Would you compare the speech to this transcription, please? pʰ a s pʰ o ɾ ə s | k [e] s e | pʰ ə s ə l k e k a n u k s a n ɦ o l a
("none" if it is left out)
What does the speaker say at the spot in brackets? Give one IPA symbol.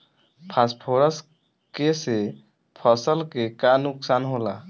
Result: e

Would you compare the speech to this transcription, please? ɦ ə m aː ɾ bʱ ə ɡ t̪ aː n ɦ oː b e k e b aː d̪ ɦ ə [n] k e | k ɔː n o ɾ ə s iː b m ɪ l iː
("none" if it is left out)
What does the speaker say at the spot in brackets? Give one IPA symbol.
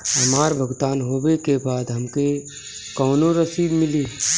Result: m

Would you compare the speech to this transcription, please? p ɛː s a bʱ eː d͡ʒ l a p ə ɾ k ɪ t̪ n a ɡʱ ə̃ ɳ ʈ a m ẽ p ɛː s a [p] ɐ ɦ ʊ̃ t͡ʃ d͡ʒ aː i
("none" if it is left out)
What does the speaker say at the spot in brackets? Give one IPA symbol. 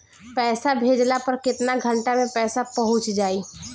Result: p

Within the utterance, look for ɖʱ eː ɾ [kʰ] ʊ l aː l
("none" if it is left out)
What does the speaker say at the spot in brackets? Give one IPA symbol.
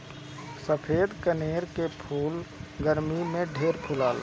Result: pʰ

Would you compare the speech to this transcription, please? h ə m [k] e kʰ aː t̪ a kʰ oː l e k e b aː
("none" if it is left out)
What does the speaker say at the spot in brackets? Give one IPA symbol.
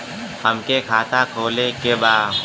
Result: k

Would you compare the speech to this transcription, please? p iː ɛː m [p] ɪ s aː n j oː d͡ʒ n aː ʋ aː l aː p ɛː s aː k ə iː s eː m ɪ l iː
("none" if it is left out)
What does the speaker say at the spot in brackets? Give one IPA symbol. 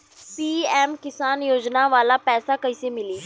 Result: k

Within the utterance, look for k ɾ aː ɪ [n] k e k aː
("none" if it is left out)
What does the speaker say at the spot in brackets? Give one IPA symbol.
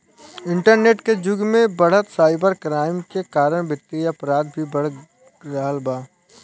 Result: m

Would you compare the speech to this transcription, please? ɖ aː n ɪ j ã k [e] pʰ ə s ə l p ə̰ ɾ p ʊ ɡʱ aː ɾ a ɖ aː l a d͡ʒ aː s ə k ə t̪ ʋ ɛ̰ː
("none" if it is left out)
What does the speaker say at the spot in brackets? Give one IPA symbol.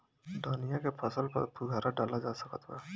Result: e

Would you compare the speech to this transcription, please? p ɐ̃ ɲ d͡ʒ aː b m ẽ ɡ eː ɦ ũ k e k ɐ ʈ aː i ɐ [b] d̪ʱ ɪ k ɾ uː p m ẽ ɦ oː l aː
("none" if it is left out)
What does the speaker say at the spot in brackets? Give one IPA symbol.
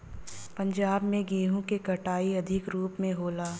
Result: none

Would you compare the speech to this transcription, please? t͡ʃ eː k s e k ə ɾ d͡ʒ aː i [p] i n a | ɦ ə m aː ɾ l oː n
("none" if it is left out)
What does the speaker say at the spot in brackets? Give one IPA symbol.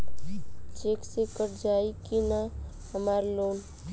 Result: k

